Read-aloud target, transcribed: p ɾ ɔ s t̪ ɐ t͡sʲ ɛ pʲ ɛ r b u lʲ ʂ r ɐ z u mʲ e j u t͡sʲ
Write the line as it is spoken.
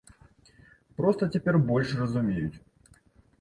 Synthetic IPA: p ɾ ɔ s t̪ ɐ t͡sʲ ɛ pʲ ɛ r b ɔ lʲ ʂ r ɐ z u mʲ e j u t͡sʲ